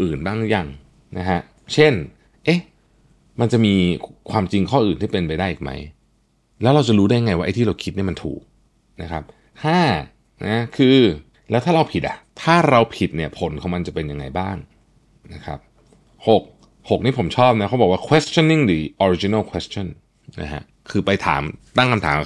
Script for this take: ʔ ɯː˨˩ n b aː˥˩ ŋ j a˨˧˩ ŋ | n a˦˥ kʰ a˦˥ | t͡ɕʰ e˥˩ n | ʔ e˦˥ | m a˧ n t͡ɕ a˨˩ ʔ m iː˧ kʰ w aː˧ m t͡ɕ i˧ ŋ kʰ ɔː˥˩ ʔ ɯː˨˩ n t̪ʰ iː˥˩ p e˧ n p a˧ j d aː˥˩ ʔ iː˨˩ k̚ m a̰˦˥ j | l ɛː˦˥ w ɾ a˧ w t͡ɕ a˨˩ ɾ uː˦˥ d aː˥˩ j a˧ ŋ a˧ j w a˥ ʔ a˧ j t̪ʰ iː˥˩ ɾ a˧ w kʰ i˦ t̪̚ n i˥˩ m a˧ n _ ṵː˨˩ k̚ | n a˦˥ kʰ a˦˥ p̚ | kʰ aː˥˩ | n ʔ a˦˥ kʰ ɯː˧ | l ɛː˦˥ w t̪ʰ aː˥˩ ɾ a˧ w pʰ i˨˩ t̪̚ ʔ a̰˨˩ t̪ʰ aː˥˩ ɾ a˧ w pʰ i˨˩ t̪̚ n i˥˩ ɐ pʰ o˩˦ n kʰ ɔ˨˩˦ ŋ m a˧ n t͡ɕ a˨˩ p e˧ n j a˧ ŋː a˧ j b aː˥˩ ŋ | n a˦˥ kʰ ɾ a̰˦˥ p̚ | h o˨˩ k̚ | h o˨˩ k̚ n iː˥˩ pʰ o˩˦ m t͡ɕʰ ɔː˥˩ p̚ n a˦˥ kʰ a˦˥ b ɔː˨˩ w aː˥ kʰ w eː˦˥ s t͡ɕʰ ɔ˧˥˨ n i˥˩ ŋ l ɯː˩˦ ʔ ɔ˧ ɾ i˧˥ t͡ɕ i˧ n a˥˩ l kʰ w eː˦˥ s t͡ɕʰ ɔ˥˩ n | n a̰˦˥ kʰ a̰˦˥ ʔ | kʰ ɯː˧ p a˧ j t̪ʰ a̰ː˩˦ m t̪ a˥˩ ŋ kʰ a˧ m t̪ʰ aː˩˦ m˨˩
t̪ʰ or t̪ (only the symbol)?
t̪ʰ